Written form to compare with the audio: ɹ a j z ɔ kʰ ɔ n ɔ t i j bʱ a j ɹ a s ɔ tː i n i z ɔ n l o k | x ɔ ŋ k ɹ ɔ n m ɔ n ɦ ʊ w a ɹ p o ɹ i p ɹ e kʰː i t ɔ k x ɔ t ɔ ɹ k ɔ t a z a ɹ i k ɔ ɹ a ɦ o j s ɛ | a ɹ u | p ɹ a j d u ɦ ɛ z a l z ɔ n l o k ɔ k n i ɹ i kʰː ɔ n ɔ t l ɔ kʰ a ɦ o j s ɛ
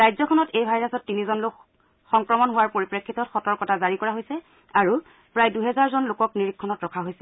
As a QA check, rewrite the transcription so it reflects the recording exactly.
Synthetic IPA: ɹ a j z ɔ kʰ ɔ n ɔ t e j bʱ a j ɹ a s ɔ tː i n i z ɔ n l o k | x ɔ ŋ k ɹ ɔ m ɔ n ɦ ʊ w a ɹ p o ɹ i p ɹ e kʰː i t ɔ t x ɔ t ɔ ɹ k ɔ t a z a ɹ i k ɔ ɹ a ɦ o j s ɛ | a ɹ u | p ɹ a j d u ɦ ɛ z a ɹ z ɔ n l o k ɔ k n i ɹ i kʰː ɔ n ɔ t ɹ ɔ kʰ a ɦ o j s ɛ